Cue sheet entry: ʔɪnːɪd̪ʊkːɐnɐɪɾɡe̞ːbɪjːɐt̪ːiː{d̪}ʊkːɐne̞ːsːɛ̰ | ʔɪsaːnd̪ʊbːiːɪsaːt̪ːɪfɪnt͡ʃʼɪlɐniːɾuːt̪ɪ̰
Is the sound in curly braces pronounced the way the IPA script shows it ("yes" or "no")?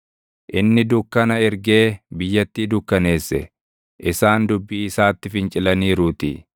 yes